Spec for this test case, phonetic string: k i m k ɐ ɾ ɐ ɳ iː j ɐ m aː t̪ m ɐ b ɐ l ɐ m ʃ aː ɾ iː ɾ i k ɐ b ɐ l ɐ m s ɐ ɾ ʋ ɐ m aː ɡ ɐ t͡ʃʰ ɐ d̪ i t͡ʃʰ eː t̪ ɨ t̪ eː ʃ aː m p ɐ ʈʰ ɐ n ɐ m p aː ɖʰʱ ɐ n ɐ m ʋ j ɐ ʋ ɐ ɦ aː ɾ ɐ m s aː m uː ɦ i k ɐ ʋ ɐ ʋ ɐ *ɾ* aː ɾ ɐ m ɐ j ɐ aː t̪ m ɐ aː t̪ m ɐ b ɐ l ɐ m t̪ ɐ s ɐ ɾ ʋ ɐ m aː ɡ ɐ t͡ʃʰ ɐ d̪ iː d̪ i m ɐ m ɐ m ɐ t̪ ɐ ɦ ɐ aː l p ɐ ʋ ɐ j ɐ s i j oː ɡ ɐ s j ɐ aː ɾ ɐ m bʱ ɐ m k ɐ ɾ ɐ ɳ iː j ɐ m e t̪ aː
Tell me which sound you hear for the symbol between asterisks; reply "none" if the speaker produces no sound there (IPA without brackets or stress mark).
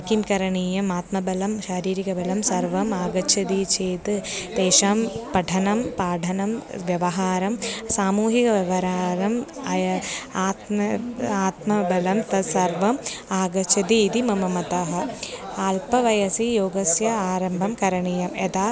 ɾ